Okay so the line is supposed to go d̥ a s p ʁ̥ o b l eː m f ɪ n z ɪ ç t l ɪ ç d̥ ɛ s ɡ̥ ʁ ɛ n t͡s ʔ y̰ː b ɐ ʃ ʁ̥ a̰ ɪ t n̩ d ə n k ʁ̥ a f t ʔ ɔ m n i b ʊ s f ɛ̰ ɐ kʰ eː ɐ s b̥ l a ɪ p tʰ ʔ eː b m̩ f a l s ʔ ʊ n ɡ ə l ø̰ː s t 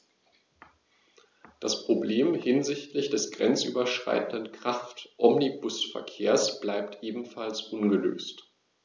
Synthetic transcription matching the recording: d̥ a s p ʁ̥ o b l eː m h ɪ n z ɪ ç t l ɪ ç d̥ ɛ s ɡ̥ ʁ ɛ n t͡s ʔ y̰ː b ɐ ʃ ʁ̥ a̰ ɪ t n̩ d ə n k ʁ̥ a f t ʔ ɔ m n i b ʊ s f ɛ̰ ɐ kʰ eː ɐ s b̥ l a ɪ p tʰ ʔ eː b m̩ f a l s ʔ ʊ n ɡ ə l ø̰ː s t